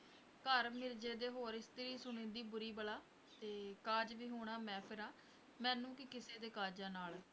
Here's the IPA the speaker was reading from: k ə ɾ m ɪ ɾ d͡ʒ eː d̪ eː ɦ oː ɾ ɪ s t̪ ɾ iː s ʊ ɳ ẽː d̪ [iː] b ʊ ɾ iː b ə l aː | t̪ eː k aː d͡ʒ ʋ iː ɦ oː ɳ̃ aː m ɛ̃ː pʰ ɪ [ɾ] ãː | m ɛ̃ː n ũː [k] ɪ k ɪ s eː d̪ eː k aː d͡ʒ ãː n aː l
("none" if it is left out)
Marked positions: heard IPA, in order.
iː, ɾ, k

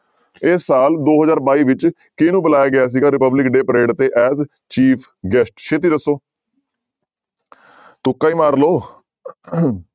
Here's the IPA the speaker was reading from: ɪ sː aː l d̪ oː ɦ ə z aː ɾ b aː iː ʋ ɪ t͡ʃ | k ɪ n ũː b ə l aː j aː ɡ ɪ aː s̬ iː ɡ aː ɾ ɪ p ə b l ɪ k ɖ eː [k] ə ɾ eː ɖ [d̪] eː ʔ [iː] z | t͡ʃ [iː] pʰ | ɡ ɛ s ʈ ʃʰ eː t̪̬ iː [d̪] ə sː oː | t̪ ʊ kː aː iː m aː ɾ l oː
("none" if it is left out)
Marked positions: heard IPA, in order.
p, t̪, ɛː, iː, d̪

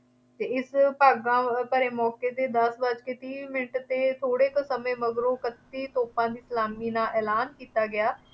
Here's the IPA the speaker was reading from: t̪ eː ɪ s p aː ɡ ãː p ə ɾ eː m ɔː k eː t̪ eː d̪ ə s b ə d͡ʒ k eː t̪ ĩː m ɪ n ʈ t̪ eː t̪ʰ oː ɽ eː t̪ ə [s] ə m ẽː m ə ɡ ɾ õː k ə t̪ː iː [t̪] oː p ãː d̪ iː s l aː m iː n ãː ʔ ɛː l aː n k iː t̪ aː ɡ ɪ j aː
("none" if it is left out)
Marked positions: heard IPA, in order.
s, t̪

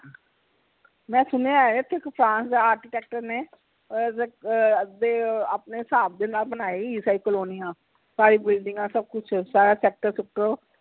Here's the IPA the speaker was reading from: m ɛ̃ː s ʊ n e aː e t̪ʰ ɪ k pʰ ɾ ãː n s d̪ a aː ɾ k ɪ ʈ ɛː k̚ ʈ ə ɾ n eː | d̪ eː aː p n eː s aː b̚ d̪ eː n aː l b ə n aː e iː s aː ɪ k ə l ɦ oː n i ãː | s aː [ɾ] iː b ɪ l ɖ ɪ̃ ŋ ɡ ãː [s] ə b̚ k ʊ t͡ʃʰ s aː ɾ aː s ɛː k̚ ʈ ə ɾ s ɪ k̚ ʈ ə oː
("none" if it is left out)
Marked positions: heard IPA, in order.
ɾ, s

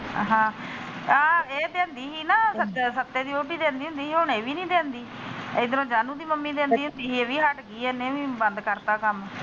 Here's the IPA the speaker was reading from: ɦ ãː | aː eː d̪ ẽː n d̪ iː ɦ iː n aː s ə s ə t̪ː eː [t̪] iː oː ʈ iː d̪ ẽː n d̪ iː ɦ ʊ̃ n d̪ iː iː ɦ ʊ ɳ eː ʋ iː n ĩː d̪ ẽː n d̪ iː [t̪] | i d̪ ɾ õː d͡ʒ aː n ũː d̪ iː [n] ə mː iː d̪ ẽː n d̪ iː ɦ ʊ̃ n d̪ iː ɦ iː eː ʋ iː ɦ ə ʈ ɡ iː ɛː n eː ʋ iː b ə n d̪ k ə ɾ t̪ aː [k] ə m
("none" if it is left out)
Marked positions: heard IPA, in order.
d̪, none, m, k

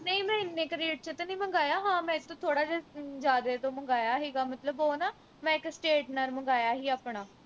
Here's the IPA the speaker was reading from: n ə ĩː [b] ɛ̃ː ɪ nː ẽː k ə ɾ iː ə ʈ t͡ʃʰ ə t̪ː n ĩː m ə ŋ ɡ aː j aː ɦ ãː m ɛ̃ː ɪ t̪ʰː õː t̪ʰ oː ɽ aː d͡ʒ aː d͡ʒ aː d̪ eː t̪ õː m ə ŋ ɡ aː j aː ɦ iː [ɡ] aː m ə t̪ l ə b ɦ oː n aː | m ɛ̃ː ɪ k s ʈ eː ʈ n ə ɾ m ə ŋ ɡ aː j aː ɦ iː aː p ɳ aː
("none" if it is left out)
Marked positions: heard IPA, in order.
m, ɡ

